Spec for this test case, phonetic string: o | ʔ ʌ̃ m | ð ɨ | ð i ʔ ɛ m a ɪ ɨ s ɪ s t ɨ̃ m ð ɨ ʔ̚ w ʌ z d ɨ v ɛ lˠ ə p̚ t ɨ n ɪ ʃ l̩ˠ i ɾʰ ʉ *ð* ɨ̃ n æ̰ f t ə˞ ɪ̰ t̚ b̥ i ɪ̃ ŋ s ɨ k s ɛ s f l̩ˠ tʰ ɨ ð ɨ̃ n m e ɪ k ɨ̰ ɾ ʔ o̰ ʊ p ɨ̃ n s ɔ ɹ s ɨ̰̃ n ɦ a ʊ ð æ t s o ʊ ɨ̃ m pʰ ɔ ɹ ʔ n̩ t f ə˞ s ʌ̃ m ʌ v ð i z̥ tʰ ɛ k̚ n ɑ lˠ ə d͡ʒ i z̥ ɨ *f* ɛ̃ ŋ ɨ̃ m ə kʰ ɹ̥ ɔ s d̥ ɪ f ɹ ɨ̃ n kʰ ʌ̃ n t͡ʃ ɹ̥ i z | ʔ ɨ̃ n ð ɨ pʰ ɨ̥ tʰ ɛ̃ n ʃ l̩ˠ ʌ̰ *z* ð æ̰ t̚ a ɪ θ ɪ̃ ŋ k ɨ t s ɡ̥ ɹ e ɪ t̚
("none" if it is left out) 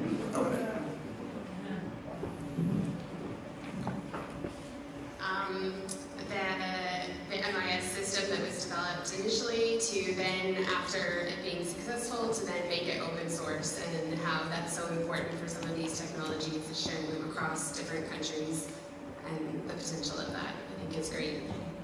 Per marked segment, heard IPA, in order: ð, ʃ, v

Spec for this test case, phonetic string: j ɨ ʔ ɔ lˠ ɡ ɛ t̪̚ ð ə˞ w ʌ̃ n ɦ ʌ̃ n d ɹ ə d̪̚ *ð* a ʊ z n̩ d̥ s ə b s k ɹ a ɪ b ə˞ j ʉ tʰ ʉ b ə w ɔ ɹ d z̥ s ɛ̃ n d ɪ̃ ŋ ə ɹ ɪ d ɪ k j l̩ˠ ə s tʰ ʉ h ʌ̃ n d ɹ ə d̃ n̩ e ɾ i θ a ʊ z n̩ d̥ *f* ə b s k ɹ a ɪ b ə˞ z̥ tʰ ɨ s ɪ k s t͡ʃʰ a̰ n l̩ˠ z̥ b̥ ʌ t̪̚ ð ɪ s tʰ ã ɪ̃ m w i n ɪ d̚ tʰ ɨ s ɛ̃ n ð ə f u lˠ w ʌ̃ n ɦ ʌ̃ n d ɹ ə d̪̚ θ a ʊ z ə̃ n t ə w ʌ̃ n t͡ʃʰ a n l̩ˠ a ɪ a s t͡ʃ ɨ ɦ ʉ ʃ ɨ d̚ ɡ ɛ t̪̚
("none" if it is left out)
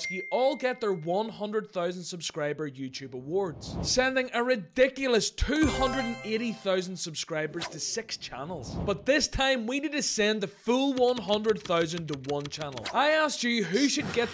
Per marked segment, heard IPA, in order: θ, s

